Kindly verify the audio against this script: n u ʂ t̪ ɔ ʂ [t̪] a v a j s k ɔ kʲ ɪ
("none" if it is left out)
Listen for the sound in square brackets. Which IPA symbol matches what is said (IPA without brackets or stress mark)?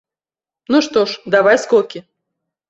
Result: d̪